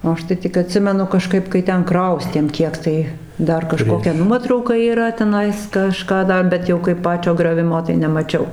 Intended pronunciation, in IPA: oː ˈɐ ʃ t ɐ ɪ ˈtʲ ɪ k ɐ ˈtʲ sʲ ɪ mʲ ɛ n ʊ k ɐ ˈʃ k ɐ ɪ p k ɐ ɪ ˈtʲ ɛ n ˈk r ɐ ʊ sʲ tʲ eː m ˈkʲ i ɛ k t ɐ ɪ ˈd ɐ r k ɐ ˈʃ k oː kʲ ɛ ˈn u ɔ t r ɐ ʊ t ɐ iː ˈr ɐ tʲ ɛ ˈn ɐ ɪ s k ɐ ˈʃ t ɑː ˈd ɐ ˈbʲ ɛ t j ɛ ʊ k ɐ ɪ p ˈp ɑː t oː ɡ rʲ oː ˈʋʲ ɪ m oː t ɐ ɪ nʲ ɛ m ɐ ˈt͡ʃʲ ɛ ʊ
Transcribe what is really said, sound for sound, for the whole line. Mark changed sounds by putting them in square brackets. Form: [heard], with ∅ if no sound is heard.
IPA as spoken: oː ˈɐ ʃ t ɐ ɪ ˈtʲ ɪ k ɐ ˈtʲ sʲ ɪ mʲ ɛ n ʊ k ɐ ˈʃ k ɐ ɪ p k ɐ ɪ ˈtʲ ɛ n ˈk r ɐ ʊ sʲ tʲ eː m ˈkʲ i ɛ k t ɐ ɪ ˈd ɐ r k ɐ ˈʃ k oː kʲ ɛ ˈn u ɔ t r ɐ ʊ [k] ɐ iː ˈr ɐ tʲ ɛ ˈn ɐ ɪ s k ɐ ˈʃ [k] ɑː ˈd ɐ ˈbʲ ɛ t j ɛ ʊ k ɐ ɪ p ˈp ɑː [t͡ʃʲ] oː ɡ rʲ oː ˈʋʲ ɪ m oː t ɐ ɪ nʲ ɛ m ɐ ˈt͡ʃʲ ɛ ʊ